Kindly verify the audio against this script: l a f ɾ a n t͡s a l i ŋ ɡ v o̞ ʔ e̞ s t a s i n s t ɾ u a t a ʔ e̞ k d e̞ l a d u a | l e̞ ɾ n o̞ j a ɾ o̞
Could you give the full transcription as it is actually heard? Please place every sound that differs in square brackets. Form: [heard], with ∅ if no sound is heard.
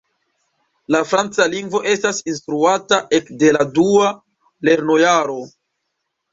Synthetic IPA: l a f ɾ a n t͡s a l i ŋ ɡ v o̞ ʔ e̞ s t a s i n s t ɾ u a t a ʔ e̞ k d e̞ l a d u a | l e̞ ɾ n o̞ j a ɾ o̞